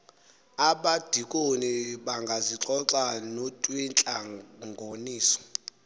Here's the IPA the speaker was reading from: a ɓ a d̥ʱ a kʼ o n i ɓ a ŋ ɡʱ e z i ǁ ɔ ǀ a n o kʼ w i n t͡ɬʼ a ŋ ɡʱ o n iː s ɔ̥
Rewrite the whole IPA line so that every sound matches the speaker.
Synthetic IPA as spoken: a ɓ a d̥ʱ i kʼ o n i ɓ a ŋ ɡʱ a z i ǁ ɔ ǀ a n o tʼ w i n t͡ɬʼ a ŋ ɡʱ o n iː s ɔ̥